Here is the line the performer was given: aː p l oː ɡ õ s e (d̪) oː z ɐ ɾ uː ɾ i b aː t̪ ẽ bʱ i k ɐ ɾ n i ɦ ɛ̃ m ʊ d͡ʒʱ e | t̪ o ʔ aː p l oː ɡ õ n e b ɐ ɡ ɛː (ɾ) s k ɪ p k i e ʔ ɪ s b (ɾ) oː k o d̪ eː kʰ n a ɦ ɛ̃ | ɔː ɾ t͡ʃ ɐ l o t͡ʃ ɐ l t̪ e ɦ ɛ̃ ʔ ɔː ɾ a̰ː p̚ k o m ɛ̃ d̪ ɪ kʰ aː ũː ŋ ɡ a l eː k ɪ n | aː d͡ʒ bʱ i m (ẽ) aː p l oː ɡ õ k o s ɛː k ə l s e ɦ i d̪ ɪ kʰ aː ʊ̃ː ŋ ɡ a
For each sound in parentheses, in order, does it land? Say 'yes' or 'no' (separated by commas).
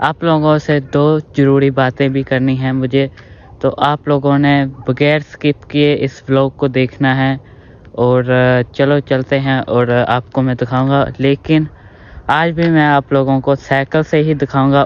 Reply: yes, yes, no, no